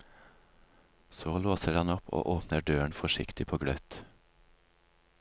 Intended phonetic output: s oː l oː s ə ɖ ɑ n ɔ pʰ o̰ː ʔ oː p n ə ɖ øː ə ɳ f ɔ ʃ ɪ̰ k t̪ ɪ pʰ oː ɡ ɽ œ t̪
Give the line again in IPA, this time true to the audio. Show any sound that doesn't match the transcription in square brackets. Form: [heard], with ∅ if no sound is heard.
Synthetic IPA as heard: s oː l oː s ə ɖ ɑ n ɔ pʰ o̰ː ʔ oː p n ə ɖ øː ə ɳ f ɔ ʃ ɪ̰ k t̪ ɪ pʰ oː ɡ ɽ œ t̪